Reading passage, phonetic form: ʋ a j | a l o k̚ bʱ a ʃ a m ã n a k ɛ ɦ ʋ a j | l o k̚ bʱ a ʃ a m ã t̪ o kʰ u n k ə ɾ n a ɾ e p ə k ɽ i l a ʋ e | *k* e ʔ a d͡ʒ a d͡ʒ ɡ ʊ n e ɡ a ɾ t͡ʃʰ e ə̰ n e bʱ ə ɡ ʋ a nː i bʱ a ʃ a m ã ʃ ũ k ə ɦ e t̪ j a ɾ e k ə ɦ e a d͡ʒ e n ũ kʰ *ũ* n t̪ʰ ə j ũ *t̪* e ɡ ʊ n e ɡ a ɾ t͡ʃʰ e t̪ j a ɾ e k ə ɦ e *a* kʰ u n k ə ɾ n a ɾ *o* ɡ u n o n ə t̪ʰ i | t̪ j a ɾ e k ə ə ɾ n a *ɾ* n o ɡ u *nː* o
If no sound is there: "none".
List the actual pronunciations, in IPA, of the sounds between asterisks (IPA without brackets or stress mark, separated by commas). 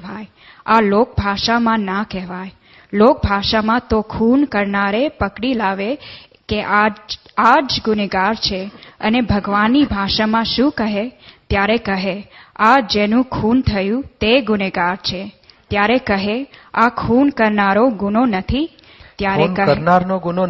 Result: k, u, t̪, a, o, ɾ, n